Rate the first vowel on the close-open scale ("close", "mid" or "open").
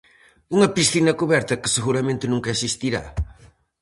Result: close